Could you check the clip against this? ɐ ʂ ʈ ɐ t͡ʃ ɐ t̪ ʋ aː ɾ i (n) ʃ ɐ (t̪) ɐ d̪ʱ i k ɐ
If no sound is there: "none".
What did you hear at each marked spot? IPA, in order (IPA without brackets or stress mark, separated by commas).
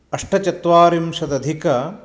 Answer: m, d̪